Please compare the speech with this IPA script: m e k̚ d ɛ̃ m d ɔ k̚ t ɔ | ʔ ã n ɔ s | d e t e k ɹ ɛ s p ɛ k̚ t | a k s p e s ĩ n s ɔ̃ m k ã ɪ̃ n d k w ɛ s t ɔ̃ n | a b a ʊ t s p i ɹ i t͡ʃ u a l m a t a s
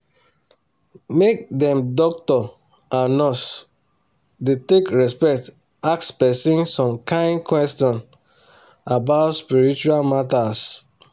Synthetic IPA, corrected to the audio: m e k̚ d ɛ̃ m d ɔ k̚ t ɔ | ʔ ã n ɔ s | d e t e k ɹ ɛ s p ɛ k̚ t | a k s p ɛ s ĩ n s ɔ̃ m k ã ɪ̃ n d k w ɛ s t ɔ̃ n | a b a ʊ t s p i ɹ i t͡ʃ u a l m a t a s